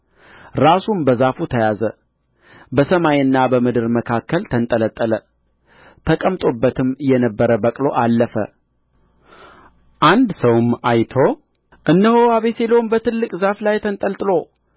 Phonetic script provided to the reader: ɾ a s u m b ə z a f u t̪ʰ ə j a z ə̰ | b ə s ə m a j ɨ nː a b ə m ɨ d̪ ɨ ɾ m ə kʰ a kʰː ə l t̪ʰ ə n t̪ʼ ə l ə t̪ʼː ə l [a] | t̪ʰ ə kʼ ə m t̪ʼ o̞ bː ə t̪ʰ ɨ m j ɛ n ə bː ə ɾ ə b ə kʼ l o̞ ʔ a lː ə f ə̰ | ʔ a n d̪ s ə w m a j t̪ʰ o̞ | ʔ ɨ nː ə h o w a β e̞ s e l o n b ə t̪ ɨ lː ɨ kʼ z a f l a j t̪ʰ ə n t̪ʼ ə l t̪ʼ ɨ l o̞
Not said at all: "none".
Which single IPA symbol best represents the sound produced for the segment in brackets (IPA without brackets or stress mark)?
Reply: ə